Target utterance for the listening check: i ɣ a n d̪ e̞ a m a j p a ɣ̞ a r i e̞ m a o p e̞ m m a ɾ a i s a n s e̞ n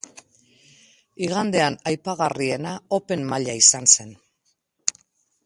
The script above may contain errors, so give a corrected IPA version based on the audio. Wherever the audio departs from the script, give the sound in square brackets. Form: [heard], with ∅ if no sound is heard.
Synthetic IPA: i ɣ a n d̪ e̞ a [n] a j p a ɣ̞ a r i e̞ [n] a o p e̞ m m a [ʎ] a i s a n s e̞ n